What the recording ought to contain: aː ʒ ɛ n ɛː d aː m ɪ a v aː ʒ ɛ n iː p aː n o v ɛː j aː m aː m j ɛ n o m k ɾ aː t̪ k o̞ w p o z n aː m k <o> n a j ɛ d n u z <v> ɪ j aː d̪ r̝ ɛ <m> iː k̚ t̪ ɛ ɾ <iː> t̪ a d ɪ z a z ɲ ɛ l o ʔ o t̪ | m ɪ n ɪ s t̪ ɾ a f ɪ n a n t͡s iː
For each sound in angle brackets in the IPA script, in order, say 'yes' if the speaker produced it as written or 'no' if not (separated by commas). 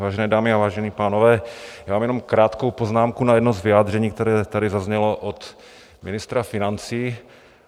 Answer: no, yes, no, no